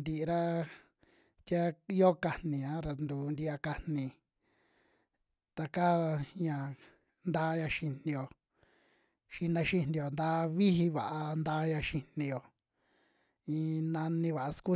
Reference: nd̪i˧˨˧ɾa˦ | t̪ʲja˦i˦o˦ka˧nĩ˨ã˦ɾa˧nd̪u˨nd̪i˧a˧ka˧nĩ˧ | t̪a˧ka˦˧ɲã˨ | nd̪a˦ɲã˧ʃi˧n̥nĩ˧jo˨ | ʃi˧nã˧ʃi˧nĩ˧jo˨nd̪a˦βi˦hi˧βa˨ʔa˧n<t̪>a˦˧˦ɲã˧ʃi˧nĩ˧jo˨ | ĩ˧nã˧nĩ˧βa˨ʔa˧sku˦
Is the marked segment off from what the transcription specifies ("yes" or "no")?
yes